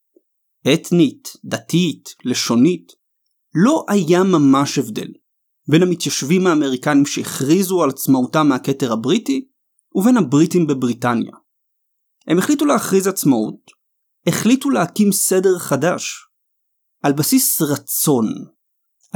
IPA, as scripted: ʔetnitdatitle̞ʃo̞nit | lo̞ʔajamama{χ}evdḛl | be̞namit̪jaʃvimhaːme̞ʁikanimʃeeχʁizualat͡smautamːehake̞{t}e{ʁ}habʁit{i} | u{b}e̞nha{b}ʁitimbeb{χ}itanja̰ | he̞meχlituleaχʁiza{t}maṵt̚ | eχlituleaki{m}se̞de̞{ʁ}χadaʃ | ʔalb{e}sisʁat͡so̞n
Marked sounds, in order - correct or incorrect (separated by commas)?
incorrect, correct, correct, correct, incorrect, correct, incorrect, incorrect, correct, correct, incorrect